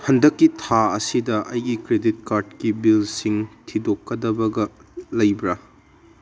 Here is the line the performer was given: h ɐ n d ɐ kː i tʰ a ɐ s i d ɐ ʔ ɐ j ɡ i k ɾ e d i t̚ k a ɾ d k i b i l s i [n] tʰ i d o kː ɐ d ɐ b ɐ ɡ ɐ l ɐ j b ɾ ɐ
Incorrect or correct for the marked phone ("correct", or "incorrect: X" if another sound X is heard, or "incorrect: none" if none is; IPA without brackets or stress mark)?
incorrect: ŋ